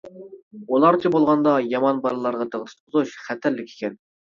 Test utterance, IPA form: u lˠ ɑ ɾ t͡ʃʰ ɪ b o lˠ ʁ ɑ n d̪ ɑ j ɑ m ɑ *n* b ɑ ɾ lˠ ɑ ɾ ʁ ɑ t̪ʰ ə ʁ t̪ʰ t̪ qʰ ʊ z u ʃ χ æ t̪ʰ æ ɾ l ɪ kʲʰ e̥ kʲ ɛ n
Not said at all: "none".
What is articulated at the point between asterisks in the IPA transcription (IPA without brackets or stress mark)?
n